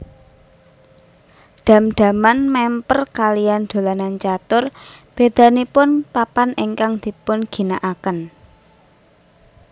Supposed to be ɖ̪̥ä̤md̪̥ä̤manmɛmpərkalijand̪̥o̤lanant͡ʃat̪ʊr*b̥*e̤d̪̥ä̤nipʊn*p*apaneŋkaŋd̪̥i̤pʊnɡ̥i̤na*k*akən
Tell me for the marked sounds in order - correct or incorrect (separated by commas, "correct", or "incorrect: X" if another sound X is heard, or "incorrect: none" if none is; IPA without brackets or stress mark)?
correct, correct, incorrect: ʔ